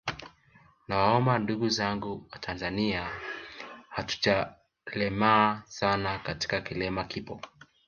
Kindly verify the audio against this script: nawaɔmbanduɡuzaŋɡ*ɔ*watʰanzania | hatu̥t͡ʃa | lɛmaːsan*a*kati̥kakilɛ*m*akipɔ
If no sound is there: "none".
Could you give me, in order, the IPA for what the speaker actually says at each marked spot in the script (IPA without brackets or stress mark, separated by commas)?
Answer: u, a, m